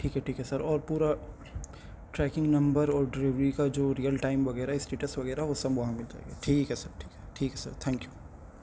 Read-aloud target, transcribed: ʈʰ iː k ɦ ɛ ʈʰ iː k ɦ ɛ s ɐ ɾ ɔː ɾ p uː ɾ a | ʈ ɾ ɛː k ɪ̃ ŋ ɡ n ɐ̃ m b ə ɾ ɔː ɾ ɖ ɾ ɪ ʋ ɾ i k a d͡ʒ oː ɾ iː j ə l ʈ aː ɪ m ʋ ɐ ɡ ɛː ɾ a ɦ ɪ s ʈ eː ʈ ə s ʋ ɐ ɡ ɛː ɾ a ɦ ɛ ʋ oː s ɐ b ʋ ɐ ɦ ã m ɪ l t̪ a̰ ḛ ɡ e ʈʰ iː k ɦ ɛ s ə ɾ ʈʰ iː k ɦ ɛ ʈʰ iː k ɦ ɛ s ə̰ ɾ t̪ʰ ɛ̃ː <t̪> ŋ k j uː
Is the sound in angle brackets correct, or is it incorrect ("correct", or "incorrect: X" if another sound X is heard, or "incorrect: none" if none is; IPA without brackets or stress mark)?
incorrect: none